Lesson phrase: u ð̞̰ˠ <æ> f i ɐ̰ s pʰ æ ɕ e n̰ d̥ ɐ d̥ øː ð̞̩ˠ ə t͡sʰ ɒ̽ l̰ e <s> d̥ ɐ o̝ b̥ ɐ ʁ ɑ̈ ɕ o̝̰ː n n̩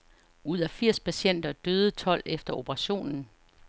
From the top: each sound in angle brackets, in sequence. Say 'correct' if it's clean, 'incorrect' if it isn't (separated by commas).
correct, incorrect